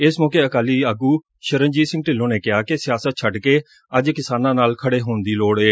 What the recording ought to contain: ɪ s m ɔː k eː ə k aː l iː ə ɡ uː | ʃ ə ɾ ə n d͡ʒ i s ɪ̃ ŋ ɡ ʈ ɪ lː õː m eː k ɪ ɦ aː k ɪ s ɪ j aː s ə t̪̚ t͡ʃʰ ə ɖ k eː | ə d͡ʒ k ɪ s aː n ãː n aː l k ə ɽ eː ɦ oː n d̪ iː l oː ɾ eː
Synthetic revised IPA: ɪ s m ɔː k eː ə k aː l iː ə ɡ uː | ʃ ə ɾ ə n d͡ʒ iː s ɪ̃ ŋ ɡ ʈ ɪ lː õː n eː k ɪ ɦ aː k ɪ s ɪ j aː s ə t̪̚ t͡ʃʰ ə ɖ k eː | ə d͡ʒ k ɪ s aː n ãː n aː l kʰ ə ɽ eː ɦ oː n d̪ iː l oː ɽ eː